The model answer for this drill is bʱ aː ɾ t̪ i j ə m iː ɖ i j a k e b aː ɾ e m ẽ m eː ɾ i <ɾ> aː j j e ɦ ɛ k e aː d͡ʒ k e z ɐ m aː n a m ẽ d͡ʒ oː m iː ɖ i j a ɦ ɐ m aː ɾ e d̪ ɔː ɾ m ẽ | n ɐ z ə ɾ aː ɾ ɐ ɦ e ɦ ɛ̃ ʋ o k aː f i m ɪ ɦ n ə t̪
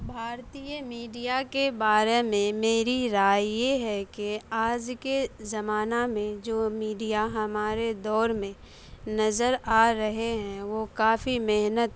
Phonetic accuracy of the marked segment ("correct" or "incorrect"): correct